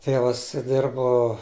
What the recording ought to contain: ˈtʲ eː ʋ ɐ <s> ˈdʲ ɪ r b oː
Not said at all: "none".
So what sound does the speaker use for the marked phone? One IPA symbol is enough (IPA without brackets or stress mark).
s